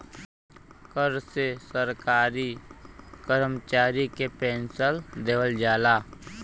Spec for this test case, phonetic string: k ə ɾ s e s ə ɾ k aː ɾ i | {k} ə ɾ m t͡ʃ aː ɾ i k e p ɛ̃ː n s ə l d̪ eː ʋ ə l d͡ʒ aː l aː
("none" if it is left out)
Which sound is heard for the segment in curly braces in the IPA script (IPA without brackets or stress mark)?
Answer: k